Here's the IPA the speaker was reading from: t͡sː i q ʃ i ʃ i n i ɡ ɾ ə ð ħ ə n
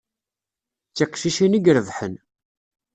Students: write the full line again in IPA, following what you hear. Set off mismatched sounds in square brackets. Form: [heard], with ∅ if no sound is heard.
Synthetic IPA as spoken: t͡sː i q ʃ i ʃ i n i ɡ ɾ ə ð ħ ə n